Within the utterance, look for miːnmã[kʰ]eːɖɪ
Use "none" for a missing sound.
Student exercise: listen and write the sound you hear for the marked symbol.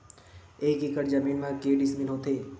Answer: k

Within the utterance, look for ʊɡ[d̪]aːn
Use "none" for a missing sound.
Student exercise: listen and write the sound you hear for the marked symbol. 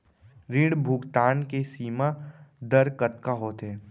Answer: t̪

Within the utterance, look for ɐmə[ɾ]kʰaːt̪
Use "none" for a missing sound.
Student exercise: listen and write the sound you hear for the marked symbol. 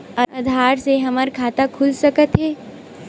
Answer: ɾ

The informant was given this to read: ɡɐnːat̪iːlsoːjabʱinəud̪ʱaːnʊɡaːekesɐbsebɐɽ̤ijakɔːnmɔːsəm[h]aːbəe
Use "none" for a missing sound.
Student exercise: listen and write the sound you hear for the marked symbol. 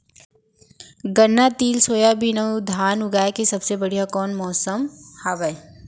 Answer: h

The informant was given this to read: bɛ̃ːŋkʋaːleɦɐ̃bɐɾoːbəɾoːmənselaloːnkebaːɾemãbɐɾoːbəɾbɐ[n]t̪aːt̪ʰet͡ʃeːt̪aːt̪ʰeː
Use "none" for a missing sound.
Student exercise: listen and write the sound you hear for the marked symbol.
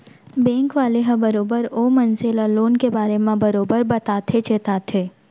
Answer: none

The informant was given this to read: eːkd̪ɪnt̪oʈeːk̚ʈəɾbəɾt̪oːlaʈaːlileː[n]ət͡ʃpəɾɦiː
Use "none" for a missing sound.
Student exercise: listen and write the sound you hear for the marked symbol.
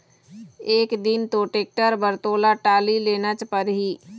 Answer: n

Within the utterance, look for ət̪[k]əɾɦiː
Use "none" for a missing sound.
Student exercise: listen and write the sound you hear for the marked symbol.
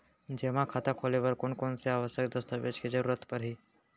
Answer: p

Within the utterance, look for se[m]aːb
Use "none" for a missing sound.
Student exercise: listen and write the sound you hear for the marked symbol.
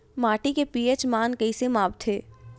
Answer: m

